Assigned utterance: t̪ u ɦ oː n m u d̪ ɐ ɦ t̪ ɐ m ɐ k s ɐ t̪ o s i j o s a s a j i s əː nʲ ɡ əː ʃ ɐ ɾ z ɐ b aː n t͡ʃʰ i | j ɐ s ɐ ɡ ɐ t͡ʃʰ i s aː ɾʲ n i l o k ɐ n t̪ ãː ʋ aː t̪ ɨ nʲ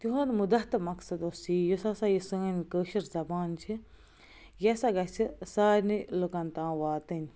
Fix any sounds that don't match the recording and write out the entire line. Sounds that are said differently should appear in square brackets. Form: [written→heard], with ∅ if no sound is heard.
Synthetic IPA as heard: t̪ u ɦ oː n m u d̪ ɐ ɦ t̪ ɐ m ɐ k s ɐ [t̪→d̪] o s i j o s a s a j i s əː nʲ [ɡ→k] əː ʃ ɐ ɾ z ɐ b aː n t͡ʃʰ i | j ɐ s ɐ ɡ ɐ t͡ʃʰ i s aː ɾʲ n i l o k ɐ n t̪ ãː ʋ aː t̪ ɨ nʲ

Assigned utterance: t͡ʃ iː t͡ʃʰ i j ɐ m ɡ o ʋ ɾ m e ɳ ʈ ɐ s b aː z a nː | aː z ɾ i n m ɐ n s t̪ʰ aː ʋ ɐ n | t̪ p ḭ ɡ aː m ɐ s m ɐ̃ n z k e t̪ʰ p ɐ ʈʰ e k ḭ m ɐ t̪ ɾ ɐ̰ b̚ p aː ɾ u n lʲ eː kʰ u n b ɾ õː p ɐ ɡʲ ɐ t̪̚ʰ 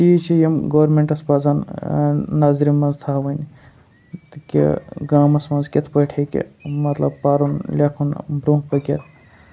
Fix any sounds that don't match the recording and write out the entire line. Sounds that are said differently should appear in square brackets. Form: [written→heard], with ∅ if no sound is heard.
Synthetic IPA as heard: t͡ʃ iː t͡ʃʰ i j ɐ m ɡ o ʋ ɾ m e ɳ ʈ ɐ s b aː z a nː | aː z ɾ i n m ɐ n [s→z] t̪ʰ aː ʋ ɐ n | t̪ [p→k] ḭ ɡ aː m ɐ s m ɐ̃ n z k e t̪ʰ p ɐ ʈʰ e k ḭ m ɐ t̪ [ɾ→l] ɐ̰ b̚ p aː ɾ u n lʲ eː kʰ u n b ɾ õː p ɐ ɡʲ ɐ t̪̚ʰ

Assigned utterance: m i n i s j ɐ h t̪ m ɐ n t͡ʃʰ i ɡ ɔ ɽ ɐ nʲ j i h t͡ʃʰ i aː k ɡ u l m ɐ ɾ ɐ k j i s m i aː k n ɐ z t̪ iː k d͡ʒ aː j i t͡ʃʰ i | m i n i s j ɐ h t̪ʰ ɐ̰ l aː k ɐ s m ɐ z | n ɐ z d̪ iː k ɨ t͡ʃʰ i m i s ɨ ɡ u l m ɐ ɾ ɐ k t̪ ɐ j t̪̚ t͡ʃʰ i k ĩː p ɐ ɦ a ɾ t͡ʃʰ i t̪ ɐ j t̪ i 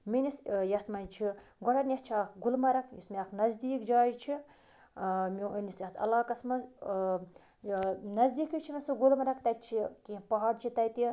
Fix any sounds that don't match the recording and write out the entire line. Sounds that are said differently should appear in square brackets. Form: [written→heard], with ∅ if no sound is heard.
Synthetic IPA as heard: m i n i s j ɐ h t̪ m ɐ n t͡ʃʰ i ɡ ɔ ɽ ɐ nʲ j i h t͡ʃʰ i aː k ɡ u l m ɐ ɾ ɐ k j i s m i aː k n ɐ z [t̪→d̪] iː k d͡ʒ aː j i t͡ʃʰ i | m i n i s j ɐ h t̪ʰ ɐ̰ l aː k ɐ s m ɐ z | n ɐ z d̪ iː k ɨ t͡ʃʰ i m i s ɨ ɡ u l m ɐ ɾ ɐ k t̪ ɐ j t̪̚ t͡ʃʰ i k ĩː p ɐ ɦ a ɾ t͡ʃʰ i t̪ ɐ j t̪ i

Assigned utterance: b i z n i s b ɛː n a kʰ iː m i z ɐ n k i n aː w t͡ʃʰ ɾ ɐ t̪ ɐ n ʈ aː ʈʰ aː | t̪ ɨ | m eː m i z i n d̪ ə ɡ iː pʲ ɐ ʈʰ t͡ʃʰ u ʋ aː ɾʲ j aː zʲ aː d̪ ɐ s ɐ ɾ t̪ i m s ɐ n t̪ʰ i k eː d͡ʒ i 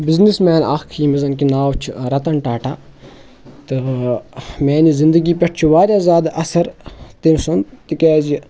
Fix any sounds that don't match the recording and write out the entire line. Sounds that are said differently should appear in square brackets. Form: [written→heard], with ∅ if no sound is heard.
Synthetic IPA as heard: b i z n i s [b→m] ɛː n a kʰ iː m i z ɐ n k i n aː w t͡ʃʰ ɾ ɐ t̪ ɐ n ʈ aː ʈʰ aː | t̪ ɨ | m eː [m→n] i z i n d̪ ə ɡ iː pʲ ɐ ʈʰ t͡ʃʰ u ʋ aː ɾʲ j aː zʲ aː d̪ ɐ s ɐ ɾ t̪ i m s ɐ n [t̪ʰ→t̪] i k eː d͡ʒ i

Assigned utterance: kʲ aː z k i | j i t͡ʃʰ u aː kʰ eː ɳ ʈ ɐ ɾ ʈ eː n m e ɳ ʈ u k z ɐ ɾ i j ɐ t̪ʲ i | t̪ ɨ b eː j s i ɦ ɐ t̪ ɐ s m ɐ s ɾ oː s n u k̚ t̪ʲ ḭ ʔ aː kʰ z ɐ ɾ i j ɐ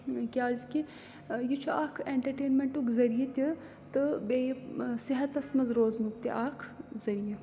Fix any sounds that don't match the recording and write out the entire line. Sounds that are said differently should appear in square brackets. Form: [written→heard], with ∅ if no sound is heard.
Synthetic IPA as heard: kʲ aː z k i | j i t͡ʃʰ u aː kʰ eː ɳ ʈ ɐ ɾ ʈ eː n m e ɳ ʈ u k z ɐ ɾ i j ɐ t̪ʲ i | t̪ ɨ b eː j s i ɦ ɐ t̪ ɐ s m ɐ [s→z] ɾ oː [s→z] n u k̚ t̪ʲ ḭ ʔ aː kʰ z ɐ ɾ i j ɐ

